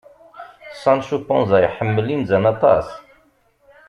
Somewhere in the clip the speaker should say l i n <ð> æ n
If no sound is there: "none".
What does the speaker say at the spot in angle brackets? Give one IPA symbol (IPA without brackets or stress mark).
z